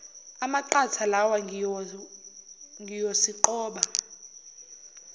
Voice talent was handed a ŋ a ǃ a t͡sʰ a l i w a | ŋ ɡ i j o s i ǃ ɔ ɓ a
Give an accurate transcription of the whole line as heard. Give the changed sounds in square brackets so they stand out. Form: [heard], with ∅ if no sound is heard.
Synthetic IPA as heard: a [m] a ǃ a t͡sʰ a l [a] w a | ŋ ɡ i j o s i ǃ [ɔː] ɓ a